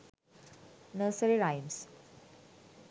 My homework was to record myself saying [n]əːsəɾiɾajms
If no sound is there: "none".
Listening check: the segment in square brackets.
n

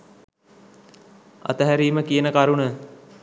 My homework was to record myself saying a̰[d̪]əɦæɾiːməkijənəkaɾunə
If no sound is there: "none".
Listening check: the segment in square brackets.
t̪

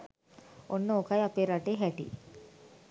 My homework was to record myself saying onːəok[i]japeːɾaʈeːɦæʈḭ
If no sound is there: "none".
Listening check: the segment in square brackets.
a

